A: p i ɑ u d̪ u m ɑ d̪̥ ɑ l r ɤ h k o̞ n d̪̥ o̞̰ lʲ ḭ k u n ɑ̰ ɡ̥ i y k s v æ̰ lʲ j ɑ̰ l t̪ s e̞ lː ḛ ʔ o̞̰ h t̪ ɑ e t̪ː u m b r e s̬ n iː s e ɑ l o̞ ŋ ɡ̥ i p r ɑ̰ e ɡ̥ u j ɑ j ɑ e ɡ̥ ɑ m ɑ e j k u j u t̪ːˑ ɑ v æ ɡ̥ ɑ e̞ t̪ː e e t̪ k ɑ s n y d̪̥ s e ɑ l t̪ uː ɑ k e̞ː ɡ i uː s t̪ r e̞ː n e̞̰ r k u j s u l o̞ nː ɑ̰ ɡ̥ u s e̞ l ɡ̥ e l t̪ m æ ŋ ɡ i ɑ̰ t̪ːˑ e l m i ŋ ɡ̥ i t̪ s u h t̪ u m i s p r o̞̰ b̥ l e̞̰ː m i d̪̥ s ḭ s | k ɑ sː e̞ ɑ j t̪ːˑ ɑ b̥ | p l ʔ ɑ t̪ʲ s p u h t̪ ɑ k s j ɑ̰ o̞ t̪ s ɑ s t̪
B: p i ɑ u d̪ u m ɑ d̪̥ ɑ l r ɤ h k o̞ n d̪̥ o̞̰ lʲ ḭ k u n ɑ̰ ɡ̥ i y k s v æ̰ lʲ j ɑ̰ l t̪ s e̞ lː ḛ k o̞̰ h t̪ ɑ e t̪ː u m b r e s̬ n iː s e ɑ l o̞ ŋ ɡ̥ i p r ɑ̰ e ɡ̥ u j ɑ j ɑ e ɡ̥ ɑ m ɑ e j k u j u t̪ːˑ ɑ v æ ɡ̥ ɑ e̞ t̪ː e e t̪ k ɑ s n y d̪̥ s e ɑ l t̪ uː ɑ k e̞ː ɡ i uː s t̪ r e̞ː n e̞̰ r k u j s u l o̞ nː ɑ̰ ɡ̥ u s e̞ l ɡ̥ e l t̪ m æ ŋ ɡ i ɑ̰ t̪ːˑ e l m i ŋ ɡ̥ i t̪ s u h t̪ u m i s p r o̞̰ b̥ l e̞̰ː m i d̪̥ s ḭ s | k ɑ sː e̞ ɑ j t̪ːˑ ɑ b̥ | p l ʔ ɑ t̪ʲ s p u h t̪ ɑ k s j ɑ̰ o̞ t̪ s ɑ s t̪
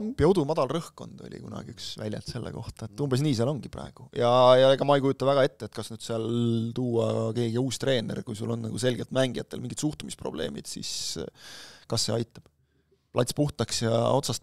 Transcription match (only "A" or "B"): B